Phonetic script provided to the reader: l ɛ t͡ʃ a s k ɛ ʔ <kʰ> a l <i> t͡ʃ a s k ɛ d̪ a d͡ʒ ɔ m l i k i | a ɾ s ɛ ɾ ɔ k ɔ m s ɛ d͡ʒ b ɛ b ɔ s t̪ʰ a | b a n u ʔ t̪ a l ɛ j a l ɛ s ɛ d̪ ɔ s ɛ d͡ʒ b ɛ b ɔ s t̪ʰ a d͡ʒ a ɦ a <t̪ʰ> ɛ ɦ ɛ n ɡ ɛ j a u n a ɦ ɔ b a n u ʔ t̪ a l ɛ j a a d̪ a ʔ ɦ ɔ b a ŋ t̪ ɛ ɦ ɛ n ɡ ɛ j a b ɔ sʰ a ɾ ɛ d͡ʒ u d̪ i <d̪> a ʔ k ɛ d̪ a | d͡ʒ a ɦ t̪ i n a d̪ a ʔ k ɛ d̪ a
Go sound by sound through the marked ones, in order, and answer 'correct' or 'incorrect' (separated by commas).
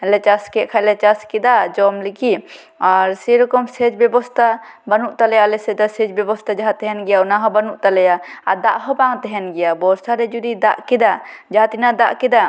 correct, incorrect, incorrect, correct